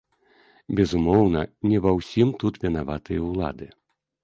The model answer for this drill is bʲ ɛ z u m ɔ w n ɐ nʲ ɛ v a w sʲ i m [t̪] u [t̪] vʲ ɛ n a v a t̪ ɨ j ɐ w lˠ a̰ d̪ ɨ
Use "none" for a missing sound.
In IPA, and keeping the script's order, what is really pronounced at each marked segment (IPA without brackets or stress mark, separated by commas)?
t̪, t̪